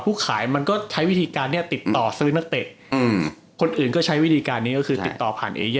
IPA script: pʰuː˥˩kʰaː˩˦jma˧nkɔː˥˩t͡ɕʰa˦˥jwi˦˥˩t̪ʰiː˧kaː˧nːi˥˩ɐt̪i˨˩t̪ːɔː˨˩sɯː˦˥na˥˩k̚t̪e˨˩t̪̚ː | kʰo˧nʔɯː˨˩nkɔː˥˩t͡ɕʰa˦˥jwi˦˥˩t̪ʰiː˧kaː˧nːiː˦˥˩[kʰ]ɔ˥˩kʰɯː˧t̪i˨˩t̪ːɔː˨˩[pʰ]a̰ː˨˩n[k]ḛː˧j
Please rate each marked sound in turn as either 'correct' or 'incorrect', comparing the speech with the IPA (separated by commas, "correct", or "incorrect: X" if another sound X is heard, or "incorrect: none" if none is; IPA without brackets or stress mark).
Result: incorrect: k, correct, incorrect: ʔ